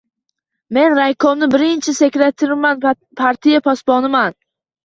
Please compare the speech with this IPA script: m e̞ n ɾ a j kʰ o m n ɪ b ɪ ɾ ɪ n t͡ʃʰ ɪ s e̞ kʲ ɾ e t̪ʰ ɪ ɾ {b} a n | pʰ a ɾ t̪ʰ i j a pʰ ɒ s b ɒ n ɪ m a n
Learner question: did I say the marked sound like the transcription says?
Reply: no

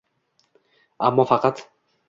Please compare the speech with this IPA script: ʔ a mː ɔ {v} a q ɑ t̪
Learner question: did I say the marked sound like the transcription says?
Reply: no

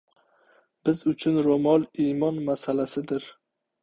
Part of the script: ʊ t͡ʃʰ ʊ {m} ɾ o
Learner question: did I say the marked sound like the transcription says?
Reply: no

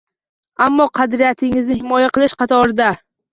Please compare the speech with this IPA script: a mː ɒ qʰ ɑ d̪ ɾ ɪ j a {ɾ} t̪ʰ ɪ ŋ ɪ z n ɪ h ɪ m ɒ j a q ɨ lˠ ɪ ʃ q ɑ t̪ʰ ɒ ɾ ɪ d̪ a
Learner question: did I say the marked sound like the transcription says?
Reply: no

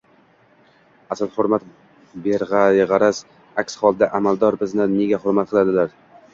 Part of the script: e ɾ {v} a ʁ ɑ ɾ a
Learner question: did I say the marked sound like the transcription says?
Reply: no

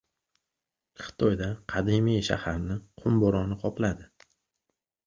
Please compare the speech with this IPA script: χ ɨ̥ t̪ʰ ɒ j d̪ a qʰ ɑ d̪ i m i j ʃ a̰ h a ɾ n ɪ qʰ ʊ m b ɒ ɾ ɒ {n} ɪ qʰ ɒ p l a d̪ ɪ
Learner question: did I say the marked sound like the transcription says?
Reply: yes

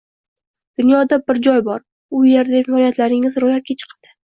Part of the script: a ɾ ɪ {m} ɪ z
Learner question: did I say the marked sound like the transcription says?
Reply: no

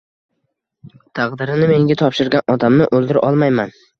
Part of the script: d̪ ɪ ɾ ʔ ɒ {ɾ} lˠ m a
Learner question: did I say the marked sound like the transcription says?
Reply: no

